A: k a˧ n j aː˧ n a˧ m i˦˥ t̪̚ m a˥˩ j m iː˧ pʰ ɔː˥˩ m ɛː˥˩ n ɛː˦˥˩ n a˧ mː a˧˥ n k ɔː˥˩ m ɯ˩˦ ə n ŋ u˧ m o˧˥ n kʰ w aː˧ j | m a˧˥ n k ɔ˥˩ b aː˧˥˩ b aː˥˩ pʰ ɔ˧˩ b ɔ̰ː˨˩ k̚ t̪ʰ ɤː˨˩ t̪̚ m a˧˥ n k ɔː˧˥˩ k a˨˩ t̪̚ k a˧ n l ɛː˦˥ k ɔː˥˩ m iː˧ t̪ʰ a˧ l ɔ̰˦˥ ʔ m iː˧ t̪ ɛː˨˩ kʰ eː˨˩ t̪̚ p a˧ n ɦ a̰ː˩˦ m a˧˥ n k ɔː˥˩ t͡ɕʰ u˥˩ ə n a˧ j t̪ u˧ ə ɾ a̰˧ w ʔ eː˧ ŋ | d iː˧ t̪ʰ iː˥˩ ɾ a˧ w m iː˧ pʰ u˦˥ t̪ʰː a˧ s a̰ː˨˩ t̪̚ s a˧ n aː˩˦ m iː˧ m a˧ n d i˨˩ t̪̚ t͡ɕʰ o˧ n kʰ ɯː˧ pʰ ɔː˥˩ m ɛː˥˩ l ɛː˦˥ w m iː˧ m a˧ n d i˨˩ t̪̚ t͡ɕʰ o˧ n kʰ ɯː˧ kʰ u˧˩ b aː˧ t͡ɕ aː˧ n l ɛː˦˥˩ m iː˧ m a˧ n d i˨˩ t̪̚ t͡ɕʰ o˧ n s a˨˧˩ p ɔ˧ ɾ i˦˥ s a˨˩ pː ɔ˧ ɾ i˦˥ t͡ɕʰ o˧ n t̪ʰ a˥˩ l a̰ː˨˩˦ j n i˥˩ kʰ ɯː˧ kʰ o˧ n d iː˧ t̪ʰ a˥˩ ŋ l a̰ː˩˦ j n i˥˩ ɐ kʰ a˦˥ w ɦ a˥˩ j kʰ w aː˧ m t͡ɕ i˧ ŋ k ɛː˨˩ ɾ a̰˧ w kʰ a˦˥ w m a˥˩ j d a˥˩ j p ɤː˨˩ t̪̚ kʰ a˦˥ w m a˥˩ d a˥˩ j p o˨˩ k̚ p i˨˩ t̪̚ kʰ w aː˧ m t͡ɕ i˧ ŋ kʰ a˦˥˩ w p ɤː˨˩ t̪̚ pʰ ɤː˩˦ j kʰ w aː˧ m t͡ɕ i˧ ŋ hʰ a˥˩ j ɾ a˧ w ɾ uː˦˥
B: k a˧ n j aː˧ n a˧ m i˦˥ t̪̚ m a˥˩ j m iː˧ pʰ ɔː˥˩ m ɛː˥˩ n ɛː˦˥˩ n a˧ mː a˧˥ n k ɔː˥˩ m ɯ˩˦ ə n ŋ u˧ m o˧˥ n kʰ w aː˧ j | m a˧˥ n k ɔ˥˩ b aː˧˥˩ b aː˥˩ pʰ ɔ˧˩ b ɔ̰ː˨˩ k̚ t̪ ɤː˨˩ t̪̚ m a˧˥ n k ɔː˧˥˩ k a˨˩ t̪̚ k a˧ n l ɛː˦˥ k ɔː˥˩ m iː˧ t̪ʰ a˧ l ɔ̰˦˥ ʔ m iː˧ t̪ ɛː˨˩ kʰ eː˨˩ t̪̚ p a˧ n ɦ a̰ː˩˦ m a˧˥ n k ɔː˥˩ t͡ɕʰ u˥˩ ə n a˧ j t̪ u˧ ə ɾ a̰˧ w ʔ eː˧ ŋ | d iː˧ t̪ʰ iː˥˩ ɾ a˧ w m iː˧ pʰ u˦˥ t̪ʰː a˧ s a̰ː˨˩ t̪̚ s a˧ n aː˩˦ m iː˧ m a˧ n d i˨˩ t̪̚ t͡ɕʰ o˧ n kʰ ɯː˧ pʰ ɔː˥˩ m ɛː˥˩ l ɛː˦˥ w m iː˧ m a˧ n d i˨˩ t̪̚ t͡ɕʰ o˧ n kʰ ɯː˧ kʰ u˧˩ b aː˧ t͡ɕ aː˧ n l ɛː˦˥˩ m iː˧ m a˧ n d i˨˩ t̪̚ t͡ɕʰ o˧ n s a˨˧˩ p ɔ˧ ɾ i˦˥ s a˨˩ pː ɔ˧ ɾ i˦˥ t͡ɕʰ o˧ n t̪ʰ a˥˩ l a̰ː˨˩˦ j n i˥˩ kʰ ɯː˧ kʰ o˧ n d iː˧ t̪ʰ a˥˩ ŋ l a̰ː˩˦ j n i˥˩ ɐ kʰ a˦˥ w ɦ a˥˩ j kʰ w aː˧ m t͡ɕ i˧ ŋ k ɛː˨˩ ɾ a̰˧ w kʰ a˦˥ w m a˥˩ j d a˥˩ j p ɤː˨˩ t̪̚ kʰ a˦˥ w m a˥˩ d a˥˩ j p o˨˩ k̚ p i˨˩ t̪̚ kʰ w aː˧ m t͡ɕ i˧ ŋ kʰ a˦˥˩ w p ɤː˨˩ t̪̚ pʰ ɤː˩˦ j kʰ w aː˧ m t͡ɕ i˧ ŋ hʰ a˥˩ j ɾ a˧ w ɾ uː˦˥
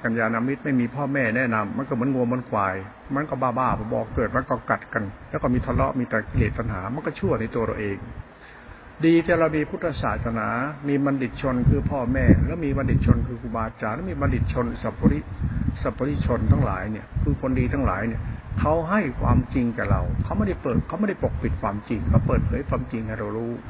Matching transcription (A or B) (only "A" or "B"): B